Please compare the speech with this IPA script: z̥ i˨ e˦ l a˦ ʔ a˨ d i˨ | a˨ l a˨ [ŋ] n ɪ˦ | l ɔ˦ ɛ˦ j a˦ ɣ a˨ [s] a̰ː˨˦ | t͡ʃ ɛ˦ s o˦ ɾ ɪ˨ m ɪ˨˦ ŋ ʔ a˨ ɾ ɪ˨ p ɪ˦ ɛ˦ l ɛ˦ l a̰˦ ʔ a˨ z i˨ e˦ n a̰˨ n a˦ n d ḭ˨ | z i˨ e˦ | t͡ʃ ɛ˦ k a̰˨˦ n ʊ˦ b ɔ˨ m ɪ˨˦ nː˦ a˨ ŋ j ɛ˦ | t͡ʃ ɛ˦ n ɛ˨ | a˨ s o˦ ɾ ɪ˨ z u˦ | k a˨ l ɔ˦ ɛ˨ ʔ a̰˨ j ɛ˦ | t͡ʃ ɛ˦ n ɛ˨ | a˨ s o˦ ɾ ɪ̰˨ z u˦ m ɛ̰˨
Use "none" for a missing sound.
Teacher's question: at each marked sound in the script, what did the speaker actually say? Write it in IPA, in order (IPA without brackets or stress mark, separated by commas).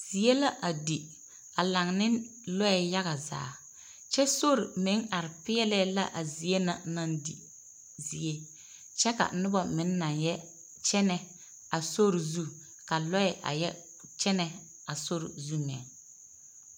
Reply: ŋ, z